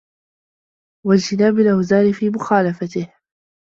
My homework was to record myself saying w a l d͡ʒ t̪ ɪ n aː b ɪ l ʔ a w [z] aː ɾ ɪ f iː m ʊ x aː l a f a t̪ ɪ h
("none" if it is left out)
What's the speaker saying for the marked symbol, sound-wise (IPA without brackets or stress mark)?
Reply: z